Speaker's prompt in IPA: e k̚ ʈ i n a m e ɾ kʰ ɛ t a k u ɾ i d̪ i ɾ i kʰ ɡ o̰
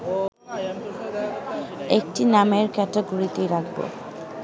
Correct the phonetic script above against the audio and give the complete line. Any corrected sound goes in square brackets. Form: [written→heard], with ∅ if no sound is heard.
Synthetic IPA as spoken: e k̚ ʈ i n a m e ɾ [kʰ→k] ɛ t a [k→ɡ] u ɾ i [d̪→t̪] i ɾ [i→a] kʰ [ɡ→b] o̰